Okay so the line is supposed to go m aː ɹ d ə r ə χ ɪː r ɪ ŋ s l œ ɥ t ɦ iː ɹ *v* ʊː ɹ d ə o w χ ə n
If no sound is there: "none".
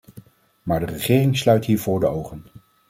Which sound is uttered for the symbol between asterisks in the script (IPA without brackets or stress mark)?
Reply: v